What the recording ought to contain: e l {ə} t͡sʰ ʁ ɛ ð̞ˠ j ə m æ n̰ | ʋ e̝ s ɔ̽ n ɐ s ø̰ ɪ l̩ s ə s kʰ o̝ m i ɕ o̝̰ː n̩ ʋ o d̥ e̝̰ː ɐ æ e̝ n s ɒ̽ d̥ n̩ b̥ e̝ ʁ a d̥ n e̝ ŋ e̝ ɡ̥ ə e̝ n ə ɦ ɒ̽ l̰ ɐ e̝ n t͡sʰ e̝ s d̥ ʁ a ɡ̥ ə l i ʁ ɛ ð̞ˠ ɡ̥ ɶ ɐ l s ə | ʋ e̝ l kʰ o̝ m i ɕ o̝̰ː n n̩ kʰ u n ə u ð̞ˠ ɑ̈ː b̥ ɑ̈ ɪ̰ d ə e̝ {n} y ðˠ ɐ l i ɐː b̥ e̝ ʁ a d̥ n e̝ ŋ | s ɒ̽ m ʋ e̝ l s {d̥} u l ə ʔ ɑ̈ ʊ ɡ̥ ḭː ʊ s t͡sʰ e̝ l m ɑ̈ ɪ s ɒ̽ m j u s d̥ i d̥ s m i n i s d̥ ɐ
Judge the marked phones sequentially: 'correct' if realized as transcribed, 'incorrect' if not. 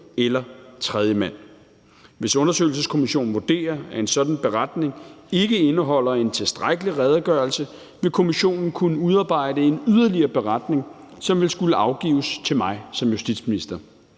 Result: incorrect, correct, incorrect

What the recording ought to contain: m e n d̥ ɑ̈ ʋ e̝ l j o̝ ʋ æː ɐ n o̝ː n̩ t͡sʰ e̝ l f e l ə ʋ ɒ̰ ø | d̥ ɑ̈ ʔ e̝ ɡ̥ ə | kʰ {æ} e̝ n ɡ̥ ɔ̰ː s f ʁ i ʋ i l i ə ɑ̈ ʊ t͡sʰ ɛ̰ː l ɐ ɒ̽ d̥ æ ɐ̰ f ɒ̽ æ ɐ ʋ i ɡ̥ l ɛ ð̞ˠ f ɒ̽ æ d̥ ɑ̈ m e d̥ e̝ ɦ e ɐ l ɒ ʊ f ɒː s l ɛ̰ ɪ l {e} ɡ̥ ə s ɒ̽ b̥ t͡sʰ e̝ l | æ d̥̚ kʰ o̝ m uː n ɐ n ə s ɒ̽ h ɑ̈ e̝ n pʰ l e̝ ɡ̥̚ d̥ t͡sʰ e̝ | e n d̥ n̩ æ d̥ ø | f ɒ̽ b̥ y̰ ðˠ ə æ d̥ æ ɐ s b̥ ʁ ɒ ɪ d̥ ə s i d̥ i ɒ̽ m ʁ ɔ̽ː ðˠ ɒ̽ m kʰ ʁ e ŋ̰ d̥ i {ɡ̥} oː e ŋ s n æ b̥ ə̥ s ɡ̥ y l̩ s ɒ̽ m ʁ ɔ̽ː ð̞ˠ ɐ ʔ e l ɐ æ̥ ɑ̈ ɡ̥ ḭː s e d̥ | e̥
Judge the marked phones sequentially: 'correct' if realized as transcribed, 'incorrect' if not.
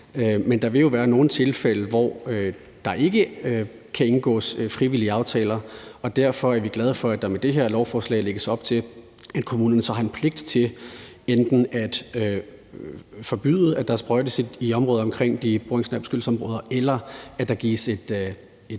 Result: correct, correct, incorrect

